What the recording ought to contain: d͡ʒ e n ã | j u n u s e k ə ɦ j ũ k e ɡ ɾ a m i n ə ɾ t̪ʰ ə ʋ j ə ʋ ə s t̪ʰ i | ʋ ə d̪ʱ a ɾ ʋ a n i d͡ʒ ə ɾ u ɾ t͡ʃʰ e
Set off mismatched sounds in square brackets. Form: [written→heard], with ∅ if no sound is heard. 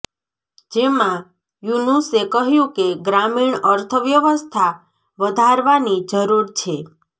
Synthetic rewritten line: d͡ʒ e [n→m] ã | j u n u s e k ə ɦ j ũ k e ɡ ɾ a m i [n→ɳ] ə ɾ t̪ʰ ə ʋ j ə ʋ ə s t̪ʰ [i→a] | ʋ ə d̪ʱ a ɾ ʋ a n i d͡ʒ ə ɾ u ɾ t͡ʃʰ e